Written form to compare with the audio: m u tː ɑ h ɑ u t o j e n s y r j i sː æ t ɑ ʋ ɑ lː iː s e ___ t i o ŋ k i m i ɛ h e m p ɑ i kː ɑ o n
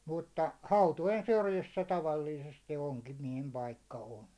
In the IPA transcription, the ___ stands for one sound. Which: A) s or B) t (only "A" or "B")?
A